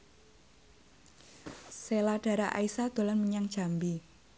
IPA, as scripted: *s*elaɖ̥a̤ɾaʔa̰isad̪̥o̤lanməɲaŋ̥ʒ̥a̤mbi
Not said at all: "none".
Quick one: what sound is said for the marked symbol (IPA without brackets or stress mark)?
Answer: s